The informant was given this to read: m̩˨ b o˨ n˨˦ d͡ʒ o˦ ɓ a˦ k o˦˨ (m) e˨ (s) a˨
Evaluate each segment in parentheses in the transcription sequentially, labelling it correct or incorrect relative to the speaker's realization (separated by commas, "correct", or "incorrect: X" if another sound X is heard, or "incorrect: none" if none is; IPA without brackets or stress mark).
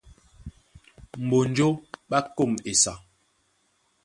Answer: correct, correct